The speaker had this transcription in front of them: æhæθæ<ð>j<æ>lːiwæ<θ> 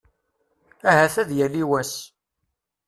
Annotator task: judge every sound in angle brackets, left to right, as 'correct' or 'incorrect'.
correct, correct, incorrect: s

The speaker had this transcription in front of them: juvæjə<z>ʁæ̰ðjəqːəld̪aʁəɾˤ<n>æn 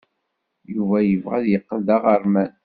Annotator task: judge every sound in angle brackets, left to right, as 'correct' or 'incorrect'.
incorrect: v, incorrect: m

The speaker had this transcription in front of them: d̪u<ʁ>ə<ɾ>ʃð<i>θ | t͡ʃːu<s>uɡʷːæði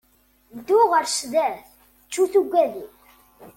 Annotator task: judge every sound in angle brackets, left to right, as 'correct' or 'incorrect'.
correct, correct, incorrect: æ, incorrect: θ

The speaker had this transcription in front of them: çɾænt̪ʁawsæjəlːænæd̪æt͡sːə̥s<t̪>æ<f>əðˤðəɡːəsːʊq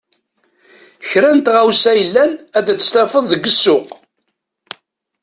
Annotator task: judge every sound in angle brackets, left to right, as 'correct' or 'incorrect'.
correct, correct

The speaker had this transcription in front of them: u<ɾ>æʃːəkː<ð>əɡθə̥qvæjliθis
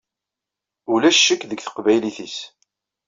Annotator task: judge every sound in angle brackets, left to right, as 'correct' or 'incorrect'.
incorrect: l, correct

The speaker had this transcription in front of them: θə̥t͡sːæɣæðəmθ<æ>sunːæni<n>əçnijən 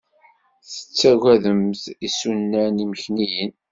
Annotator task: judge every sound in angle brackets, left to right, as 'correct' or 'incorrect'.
incorrect: i, incorrect: m

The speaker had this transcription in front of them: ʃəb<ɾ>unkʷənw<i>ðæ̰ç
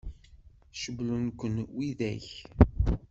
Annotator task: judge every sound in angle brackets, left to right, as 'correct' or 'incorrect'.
incorrect: l, correct

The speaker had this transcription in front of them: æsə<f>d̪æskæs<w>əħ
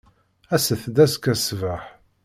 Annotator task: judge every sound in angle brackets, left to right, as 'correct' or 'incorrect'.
incorrect: θ, incorrect: v

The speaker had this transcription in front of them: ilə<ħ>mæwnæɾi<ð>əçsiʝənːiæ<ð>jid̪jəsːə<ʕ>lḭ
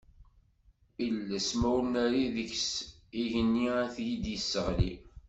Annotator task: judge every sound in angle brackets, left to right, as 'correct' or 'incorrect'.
incorrect: s, correct, incorrect: θ, incorrect: ʁ

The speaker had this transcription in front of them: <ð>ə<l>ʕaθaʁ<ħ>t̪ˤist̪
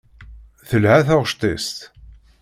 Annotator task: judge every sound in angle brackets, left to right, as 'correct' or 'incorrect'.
incorrect: θ, correct, incorrect: ʃ

